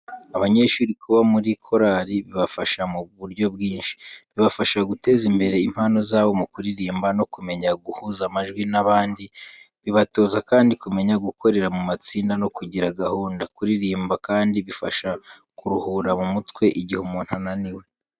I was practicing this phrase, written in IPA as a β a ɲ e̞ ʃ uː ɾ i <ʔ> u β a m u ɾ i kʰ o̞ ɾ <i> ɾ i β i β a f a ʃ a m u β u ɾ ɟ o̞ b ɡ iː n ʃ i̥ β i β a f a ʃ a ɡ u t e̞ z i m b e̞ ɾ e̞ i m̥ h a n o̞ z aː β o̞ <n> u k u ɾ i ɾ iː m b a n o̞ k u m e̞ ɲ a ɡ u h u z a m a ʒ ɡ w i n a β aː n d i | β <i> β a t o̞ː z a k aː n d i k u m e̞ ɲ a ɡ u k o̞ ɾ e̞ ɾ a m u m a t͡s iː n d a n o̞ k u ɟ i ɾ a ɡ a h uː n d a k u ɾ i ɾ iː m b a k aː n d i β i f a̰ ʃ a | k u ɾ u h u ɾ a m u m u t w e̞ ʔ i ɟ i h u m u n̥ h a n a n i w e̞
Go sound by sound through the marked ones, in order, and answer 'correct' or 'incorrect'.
incorrect: k, incorrect: a, incorrect: m, correct

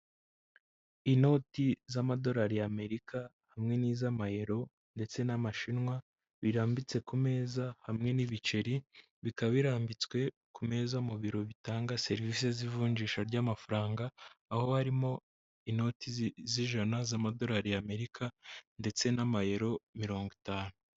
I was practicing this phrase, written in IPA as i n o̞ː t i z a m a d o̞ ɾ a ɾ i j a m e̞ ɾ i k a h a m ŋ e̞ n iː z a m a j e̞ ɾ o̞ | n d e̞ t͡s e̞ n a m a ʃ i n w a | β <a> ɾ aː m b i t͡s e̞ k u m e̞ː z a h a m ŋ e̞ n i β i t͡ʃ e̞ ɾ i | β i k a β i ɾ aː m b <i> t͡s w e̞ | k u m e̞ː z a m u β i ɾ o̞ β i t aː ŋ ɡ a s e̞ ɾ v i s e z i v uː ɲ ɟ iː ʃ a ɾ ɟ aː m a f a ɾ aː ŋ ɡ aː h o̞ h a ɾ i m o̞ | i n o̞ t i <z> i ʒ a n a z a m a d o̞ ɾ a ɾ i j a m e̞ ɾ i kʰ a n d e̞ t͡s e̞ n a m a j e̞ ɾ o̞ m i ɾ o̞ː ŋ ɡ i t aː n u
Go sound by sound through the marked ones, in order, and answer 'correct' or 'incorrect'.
incorrect: i, correct, correct

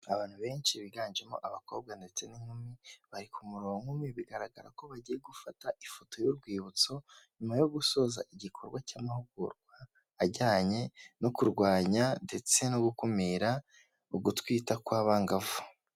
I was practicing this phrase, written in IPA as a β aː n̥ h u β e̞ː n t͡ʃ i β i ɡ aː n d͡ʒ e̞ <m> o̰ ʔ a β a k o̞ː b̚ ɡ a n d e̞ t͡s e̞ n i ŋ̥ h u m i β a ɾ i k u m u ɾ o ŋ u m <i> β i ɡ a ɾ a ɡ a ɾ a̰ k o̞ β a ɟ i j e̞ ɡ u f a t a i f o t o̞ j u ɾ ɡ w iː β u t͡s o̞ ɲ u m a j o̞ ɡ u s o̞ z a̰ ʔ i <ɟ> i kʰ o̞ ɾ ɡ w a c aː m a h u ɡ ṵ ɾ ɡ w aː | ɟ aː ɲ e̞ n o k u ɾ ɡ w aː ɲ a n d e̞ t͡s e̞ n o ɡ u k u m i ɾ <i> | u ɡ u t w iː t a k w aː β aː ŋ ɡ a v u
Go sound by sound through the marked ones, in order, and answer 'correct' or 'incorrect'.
correct, correct, correct, incorrect: a

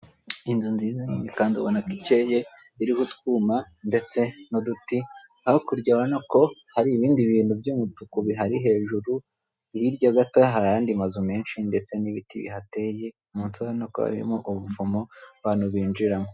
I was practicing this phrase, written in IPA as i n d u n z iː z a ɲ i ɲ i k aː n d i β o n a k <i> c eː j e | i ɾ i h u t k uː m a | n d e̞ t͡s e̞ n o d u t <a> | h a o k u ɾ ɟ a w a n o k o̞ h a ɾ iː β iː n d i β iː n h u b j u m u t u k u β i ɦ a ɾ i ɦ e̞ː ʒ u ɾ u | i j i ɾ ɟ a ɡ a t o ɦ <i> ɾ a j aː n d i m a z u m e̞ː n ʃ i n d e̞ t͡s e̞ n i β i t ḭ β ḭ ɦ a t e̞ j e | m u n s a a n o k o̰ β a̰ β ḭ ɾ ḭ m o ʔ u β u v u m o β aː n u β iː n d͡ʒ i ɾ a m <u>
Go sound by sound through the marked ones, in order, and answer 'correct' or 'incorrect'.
correct, incorrect: i, incorrect: a, incorrect: o

